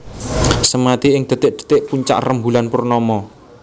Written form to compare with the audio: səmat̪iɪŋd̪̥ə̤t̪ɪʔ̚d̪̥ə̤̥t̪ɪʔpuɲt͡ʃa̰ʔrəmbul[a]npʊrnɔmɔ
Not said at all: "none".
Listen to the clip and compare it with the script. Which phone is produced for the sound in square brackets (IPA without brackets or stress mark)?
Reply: a